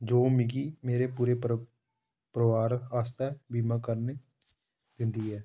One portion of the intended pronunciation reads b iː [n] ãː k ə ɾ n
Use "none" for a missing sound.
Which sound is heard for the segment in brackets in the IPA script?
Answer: m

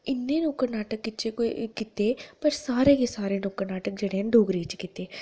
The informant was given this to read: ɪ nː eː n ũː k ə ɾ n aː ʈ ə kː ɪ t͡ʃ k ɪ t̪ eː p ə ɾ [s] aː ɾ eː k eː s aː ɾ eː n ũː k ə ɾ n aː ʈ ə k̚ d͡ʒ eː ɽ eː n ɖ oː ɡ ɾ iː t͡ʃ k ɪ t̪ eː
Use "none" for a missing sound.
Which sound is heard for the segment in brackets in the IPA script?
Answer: s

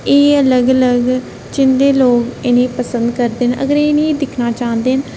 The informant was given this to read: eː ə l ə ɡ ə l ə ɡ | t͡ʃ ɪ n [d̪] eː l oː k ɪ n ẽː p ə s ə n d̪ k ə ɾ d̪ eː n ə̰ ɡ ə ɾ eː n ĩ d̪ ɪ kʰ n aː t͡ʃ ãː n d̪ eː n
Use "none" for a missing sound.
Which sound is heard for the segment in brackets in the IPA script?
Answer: d̪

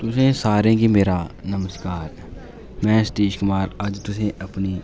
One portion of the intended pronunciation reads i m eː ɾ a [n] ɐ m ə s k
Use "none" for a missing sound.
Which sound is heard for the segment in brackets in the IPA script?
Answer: n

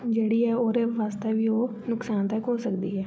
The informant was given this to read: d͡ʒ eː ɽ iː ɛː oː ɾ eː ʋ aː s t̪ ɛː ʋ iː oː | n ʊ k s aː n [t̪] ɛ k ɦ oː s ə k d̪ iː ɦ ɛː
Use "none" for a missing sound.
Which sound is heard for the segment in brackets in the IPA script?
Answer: t̪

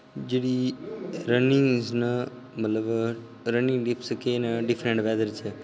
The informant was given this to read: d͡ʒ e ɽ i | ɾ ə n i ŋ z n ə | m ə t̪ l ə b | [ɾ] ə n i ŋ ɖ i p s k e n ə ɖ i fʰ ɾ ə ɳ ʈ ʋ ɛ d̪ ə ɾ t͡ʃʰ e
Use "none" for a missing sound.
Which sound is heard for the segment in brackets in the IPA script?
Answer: ɾ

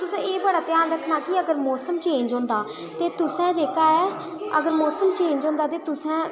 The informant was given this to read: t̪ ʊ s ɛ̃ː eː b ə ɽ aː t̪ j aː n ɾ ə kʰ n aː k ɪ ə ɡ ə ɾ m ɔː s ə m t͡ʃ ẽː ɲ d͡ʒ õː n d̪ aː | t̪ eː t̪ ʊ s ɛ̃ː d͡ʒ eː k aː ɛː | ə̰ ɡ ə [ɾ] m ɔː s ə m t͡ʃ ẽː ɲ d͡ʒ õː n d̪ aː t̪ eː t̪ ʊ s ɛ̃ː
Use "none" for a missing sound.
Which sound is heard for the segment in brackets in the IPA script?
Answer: ɾ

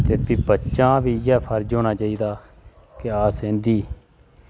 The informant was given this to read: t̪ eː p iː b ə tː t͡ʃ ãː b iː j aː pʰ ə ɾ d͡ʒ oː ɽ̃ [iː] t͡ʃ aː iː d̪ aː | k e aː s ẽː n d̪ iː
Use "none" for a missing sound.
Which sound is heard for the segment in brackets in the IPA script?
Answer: aː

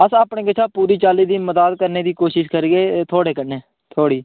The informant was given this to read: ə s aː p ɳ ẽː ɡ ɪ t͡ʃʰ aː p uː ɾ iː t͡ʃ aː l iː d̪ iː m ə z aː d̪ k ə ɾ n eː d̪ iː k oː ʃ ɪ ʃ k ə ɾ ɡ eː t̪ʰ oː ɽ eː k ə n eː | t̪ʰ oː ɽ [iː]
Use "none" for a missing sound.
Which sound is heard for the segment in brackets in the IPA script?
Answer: iː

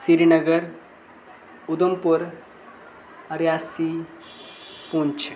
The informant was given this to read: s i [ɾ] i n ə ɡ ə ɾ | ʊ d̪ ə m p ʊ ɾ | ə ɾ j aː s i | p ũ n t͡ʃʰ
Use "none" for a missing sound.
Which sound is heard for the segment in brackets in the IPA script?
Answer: ɾ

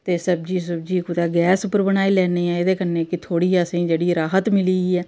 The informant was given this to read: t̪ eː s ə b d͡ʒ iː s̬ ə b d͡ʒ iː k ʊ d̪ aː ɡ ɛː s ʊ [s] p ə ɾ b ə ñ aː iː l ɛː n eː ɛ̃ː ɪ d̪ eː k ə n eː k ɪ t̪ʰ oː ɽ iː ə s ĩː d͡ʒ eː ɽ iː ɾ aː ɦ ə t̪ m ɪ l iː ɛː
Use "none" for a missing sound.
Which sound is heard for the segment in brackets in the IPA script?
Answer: none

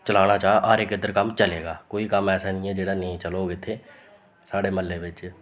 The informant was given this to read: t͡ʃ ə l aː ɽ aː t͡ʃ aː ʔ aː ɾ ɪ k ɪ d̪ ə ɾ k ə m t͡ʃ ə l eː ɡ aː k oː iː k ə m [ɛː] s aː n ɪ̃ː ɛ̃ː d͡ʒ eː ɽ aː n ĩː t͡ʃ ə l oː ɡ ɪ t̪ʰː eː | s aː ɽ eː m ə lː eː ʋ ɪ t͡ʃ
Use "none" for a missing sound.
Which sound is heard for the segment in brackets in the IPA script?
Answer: ɛː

